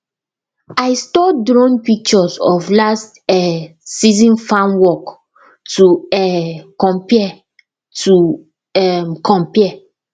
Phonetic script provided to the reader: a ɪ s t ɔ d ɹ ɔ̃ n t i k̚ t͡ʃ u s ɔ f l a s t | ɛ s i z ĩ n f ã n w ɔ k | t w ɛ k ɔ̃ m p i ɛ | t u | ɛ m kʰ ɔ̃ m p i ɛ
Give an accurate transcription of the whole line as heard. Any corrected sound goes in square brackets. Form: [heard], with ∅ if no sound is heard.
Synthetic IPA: a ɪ s t ɔ d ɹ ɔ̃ n [p] i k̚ t͡ʃ [ɔ] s ɔ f l a s t | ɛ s i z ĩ n f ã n w ɔ k | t [u] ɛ k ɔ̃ m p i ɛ | t u | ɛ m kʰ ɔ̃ m p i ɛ